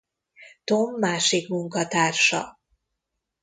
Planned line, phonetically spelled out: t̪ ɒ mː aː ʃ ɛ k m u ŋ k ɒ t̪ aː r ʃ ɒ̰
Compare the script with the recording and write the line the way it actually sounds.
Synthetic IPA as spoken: t̪ o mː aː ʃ i k m u ŋ k ɒ t̪ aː r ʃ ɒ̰

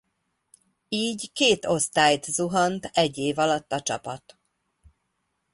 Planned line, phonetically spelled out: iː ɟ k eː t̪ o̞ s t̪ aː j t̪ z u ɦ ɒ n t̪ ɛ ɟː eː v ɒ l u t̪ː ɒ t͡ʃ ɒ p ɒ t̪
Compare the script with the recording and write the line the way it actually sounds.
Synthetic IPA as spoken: iː ɟ k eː t̪ o̞ s t̪ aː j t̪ z u ɦ ɒ n t̪ ɛ ɟː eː v ɒ l ɒ t̪ː ɒ t͡ʃ ɒ p ɒ t̪

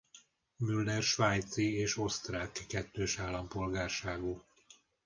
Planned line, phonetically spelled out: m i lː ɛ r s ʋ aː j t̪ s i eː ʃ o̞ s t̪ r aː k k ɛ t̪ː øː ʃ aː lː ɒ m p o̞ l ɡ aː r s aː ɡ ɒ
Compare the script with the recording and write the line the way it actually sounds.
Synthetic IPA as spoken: m y lː ɛ r ʃ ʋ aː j t̪ s i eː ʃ o̞ s t̪ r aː k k ɛ t̪ː øː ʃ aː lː ɒ m p o̞ l ɡ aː r ʃ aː ɡ u

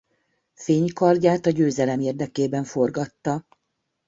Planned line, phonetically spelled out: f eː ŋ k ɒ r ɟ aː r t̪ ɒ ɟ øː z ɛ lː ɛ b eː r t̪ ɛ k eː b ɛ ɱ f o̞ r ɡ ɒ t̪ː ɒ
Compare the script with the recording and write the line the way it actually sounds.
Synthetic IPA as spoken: f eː ɲ k ɒ r ɟ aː t̪ ɒ ɟ øː z ɛ l ɛ m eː r d̪ ɛ k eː b ɛ ɱ f o̞ r ɡ ɒ t̪ː ɒ

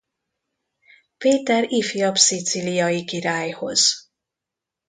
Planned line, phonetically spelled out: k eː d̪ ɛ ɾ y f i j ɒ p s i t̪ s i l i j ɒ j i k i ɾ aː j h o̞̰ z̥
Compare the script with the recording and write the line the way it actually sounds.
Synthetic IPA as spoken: p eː t̪ ɛ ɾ i f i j ɒ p s i t̪ s i l i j ɒ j i k i ɾ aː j h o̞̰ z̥

